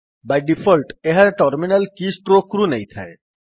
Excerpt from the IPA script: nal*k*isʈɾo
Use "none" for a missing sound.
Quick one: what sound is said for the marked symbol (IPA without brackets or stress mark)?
k